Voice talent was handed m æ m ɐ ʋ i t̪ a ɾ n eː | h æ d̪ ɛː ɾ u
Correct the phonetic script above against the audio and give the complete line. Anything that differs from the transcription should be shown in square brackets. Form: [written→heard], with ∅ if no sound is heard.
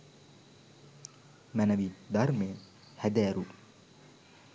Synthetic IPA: m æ [m→n] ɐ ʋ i [t̪→d̪] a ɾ [n→m] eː | h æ d̪ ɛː ɾ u